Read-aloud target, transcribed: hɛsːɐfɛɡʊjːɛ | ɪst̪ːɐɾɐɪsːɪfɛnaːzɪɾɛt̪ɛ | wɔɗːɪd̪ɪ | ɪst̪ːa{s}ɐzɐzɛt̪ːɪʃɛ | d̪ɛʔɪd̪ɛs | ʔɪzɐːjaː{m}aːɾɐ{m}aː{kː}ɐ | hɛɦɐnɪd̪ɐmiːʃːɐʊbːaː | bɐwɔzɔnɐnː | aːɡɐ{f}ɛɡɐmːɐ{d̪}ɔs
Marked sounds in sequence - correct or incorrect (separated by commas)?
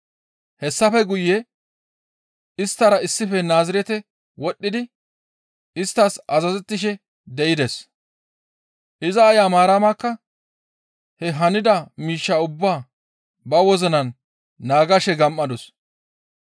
correct, correct, correct, correct, incorrect, correct